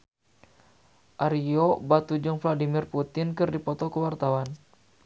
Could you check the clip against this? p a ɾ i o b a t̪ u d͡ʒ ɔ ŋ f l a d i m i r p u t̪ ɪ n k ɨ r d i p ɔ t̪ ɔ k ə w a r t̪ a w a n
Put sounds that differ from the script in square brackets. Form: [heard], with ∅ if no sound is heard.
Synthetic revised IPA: [ʔ] a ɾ i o b a t̪ u d͡ʒ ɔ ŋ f l a d i m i r p u t̪ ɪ n k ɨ r d i p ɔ t̪ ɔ k ə w a r t̪ a w a n